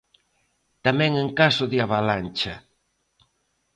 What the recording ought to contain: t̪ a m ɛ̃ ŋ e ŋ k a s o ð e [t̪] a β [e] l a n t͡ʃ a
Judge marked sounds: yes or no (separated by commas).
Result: no, no